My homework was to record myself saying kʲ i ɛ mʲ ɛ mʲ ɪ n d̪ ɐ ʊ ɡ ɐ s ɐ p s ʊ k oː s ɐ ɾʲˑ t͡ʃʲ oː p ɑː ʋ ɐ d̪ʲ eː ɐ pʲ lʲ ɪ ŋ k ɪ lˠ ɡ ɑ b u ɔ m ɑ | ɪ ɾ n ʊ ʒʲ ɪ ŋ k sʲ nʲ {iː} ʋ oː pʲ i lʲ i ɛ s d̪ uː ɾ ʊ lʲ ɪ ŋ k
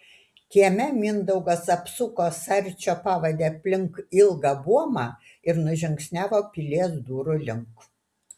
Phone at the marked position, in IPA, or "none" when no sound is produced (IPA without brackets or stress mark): æː